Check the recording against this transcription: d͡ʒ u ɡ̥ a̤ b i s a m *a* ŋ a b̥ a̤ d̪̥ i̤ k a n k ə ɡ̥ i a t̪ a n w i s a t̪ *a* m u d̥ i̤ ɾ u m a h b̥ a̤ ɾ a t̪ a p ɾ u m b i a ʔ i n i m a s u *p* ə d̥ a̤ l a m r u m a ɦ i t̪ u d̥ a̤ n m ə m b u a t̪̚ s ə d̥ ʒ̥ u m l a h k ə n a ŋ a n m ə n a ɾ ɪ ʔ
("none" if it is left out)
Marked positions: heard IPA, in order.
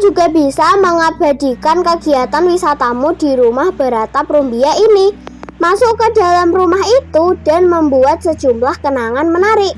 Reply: ə, a, k

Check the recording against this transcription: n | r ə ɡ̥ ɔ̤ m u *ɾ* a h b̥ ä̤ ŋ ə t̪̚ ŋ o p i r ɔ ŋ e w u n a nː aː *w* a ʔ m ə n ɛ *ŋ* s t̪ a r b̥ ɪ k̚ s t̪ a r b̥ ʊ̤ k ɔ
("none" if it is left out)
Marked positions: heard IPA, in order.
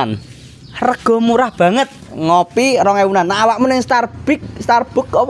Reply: ɾ, w, ŋ

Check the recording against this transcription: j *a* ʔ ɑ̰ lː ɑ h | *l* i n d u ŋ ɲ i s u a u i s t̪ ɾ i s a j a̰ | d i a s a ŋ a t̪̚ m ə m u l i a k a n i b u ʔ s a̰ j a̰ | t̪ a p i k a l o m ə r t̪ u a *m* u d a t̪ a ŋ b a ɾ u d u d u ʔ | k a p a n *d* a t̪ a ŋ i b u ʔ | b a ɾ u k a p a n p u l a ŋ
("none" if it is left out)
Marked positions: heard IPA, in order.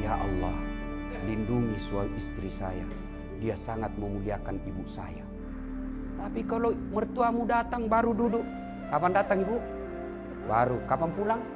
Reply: a, l, m, d

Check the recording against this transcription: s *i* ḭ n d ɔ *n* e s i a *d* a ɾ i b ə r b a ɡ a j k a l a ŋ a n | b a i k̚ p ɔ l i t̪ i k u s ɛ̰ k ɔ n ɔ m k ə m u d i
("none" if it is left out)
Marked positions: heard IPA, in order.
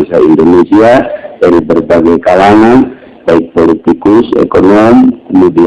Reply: a, n, d

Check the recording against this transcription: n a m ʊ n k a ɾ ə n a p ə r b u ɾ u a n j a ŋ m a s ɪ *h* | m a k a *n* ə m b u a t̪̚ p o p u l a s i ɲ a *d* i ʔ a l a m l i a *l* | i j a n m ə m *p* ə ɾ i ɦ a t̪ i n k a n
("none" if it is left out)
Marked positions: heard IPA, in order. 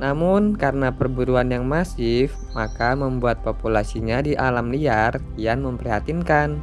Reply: f, m, d, r, p

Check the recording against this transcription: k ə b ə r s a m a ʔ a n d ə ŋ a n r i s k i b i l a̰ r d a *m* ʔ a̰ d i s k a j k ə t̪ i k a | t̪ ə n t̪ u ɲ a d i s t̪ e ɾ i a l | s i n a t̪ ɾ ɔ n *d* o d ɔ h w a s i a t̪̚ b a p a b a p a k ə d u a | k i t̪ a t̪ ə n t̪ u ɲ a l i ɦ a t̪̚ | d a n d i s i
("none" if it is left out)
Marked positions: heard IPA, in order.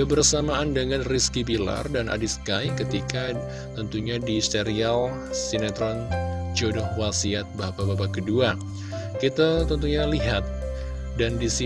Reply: n, d͡ʒ

